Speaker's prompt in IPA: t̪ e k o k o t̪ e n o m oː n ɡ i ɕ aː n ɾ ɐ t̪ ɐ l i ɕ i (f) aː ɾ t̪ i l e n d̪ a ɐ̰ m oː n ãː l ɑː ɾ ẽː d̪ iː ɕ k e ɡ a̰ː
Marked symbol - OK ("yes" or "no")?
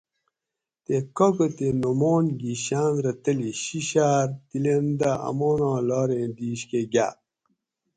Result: no